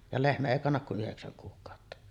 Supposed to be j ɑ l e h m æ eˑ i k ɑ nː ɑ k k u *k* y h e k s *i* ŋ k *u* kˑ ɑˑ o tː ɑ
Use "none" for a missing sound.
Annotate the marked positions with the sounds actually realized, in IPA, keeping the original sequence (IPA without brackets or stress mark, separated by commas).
ʔ, æ, uː